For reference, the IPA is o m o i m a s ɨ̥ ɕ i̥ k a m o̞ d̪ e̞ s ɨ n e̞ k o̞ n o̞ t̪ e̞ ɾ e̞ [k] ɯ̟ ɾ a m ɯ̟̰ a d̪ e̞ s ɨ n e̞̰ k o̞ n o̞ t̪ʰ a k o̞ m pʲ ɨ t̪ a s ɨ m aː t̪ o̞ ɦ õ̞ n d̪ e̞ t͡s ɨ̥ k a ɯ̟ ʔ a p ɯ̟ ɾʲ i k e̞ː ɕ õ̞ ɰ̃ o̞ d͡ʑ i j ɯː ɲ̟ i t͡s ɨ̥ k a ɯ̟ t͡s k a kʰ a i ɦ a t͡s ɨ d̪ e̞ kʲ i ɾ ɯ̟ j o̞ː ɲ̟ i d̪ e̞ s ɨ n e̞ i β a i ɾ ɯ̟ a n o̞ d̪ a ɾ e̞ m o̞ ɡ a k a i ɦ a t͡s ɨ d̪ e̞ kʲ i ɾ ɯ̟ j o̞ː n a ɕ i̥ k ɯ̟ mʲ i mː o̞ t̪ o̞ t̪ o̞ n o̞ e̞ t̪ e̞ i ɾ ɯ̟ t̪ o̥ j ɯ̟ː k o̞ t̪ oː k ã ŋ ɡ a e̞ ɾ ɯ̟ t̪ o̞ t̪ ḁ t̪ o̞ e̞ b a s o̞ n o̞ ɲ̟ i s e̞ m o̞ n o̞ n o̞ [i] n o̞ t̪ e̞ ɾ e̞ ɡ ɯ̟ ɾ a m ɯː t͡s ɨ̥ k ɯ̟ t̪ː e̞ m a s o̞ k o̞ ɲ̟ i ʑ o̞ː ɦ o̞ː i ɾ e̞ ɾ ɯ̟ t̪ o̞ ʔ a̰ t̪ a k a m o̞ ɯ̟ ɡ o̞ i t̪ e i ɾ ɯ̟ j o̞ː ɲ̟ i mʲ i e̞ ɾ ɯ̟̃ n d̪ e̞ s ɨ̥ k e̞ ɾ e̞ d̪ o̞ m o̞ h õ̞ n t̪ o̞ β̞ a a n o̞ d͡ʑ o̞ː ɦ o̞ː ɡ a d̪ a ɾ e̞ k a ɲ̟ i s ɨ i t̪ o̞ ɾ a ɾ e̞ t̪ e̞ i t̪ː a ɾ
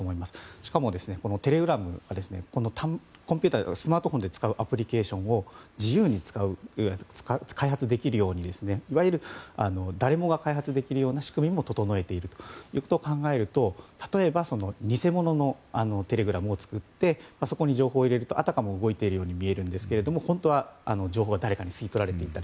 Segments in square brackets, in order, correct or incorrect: incorrect: ɡ, incorrect: a

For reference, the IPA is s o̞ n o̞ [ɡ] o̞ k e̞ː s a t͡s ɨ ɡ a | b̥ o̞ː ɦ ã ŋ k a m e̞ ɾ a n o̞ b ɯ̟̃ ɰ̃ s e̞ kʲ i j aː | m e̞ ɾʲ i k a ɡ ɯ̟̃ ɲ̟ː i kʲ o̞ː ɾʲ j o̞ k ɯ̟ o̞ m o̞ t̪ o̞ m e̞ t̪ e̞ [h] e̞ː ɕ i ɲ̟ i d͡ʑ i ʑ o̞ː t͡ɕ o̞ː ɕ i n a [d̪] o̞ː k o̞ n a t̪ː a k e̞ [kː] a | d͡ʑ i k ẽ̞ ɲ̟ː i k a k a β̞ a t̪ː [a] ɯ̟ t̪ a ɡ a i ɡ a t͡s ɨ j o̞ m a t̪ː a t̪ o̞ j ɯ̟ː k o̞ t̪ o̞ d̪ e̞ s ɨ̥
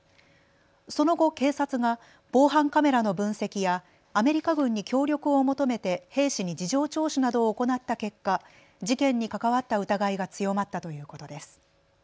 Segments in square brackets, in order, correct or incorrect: correct, correct, correct, correct, correct

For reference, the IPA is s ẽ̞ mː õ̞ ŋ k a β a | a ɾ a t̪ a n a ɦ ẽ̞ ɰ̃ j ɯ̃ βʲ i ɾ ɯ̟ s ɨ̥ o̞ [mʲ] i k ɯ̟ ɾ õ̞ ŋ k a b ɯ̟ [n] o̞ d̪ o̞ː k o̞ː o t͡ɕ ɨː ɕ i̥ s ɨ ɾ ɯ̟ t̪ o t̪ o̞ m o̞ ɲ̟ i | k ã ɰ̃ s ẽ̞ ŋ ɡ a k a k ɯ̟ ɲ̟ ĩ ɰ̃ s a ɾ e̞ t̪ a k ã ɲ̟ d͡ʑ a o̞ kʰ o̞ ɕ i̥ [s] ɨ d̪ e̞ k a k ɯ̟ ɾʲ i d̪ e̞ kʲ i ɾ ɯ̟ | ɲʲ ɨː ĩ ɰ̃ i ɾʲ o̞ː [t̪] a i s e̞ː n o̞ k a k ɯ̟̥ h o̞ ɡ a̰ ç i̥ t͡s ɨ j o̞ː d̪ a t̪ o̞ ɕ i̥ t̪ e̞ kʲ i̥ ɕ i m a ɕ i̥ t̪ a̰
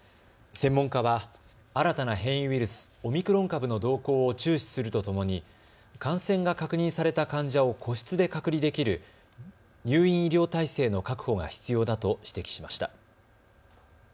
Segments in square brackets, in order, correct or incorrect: correct, correct, incorrect: t͡s, correct

